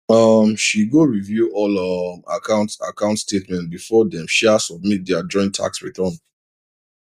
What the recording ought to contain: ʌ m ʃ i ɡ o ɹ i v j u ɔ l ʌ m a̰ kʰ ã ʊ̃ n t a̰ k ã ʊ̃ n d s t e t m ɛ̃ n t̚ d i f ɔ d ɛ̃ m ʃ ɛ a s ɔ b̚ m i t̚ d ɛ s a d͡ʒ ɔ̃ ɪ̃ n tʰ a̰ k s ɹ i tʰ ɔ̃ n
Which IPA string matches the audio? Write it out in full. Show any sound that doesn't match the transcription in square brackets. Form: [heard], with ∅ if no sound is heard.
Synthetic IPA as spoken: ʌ m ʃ i ɡ o ɹ i v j u ɔ l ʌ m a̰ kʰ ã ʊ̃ n t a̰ k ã ʊ̃ n [t] s t e t m ɛ̃ n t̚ [b] i f ɔ d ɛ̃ m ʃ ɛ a s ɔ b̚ m i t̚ d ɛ [∅] a d͡ʒ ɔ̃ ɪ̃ n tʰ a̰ k s ɹ i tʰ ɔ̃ n

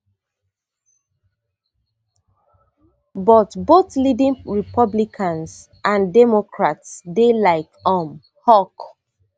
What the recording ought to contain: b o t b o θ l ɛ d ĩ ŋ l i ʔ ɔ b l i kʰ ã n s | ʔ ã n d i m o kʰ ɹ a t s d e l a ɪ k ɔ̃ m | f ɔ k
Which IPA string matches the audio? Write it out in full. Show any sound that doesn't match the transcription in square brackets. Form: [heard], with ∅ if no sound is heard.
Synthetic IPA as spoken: b [ɔ] t b o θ l [i] d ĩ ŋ [ɹ] i [p] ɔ b l i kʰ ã n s | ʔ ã n d [ɛ] m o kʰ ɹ a t s d e l a ɪ k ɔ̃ m | [h] ɔ k

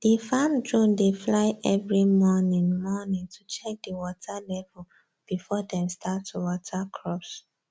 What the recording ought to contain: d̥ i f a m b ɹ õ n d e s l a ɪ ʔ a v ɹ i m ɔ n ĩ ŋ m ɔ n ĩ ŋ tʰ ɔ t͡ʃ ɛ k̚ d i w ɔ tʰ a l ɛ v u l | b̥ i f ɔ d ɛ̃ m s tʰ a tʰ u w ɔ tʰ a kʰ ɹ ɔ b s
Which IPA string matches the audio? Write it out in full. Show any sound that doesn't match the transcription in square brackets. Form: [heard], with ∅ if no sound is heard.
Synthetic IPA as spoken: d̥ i f a m [d] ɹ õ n d e [f] l a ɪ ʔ [ɛ] v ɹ i m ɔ n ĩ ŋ m ɔ n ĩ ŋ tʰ [u] t͡ʃ ɛ k̚ d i w ɔ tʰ a l ɛ v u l | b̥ i f ɔ d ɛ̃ m s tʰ a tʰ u w ɔ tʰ a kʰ ɹ ɔ [p] s

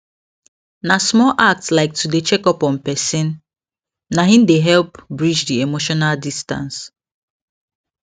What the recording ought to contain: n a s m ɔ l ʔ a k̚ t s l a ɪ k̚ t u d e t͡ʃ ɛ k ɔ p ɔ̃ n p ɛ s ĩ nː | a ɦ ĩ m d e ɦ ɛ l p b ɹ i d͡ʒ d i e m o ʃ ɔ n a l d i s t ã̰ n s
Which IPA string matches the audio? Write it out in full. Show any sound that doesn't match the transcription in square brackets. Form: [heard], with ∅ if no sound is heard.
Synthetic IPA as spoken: n a s m ɔ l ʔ a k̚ t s l a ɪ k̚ t u d e t͡ʃ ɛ k ɔ p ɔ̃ n p ɛ s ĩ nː | a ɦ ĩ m d e ɦ ɛ l p b ɹ i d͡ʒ d i e m o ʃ ɔ n a l d i s t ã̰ n s

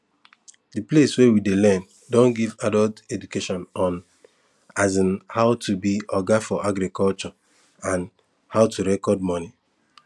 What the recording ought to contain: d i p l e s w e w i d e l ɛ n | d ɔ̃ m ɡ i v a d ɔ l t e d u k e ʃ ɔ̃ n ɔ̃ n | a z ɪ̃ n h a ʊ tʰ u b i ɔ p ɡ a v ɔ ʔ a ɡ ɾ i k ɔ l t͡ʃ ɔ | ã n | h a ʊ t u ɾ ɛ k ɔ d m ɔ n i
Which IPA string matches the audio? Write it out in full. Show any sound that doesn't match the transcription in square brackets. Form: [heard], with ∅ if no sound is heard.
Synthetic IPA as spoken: d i p l e s w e w i d e l ɛ n | d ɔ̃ [n] ɡ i v a d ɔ l t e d u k e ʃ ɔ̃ n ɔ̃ n | a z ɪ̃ n h a ʊ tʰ u b i ɔ [∅] ɡ a [f] ɔ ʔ a ɡ ɾ i k ɔ l t͡ʃ ɔ | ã n | h a ʊ t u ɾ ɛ k ɔ d m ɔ n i

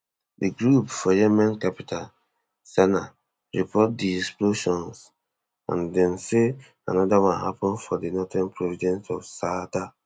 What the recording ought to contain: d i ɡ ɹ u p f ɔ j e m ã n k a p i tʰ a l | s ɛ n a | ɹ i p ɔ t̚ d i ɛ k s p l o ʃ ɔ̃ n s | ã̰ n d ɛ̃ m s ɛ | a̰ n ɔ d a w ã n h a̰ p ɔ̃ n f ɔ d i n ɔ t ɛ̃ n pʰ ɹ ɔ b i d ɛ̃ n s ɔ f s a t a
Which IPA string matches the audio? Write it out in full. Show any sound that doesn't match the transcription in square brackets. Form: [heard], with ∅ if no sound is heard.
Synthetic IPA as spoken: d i ɡ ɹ u p f ɔ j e m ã n k a p i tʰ a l | s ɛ n a | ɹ i p ɔ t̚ d i ɛ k s p l o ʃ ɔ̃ n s | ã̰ n d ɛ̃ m s [e] | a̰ n ɔ d a w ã n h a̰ p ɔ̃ n f ɔ d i n ɔ t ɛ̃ n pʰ ɹ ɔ [v] i d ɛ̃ n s ɔ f s a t a

